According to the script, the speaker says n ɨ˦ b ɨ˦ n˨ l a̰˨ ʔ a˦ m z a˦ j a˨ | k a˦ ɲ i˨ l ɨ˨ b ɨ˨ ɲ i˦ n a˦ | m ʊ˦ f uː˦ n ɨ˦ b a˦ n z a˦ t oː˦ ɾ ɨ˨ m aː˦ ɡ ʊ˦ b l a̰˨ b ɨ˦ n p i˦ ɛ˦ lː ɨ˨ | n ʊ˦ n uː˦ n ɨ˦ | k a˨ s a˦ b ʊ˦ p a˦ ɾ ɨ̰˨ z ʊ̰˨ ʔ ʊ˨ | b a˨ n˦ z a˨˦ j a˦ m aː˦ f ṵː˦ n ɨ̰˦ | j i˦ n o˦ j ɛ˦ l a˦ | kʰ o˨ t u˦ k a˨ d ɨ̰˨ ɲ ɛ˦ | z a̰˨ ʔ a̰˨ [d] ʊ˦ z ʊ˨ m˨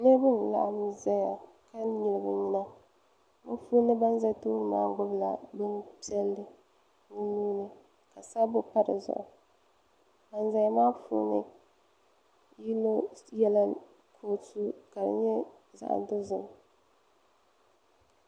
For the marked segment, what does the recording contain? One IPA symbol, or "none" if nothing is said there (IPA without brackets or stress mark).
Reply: d